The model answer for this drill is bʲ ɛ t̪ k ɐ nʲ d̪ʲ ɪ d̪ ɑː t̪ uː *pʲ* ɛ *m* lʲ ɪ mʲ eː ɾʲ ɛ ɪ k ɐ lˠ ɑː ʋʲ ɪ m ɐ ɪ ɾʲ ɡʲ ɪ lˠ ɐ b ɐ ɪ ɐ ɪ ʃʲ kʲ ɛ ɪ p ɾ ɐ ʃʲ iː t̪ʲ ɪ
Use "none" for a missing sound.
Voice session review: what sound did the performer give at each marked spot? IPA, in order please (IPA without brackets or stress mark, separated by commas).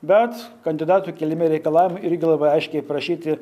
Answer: kʲ, none